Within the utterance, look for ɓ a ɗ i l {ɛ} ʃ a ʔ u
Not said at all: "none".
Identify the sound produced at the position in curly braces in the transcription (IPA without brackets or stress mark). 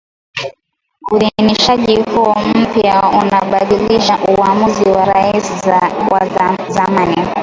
i